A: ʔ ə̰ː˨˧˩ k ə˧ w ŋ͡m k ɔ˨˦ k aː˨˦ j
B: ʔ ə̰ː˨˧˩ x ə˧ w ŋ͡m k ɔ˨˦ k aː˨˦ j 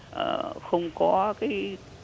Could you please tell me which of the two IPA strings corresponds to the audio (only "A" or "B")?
B